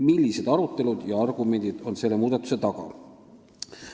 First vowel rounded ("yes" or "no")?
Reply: no